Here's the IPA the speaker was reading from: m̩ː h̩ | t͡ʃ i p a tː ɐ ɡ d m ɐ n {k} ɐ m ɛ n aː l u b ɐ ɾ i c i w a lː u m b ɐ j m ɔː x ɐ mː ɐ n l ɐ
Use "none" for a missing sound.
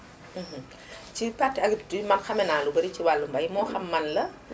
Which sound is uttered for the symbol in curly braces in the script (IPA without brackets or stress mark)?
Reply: x